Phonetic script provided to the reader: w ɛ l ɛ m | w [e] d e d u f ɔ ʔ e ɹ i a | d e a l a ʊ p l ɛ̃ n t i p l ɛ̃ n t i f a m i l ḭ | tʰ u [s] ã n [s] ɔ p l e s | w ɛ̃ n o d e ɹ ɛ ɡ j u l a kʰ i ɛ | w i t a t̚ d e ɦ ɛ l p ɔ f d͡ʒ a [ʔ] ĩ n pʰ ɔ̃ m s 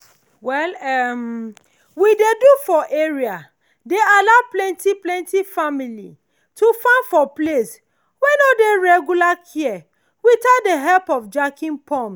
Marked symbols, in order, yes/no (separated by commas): no, no, no, no